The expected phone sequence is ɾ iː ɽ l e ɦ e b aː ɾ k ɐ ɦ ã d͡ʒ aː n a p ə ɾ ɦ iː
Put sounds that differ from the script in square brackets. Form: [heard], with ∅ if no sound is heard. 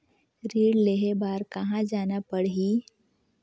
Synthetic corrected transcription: ɾ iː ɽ l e ɦ e b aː ɾ k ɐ ɦ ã d͡ʒ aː n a p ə [ɽ] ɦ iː